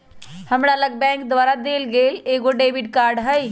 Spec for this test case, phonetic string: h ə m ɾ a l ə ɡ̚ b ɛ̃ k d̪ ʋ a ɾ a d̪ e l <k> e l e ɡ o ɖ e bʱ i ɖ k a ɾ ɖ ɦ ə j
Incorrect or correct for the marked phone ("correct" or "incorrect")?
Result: incorrect